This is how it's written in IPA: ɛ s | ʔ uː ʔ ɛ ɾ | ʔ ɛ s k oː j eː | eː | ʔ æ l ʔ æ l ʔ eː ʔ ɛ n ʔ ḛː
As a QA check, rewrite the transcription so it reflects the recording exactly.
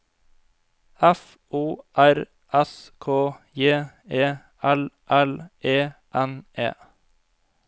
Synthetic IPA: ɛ f | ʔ uː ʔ æ ɾ | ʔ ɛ s kʰ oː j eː | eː | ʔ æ l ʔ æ l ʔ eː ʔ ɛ n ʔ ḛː